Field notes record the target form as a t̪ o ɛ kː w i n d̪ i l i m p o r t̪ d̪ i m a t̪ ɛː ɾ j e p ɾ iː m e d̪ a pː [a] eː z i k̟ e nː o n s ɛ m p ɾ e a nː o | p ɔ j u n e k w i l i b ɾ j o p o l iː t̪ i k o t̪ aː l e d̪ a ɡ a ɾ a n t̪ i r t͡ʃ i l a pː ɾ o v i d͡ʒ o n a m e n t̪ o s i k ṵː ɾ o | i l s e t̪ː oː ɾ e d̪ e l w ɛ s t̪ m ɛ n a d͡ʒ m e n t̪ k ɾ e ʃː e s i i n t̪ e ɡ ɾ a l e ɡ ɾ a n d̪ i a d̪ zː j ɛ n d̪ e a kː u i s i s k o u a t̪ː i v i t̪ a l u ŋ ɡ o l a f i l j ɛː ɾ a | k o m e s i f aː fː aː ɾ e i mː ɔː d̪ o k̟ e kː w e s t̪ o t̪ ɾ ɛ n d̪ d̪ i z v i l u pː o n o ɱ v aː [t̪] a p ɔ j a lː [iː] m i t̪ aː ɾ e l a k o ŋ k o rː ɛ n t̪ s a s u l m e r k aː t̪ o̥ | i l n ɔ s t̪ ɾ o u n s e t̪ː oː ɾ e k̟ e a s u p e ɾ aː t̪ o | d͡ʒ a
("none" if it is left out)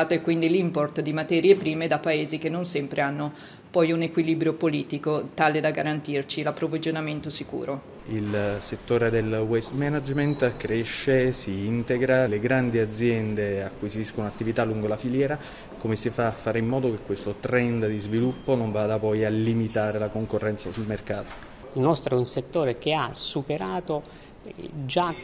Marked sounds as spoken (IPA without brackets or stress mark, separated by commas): a, d̪, i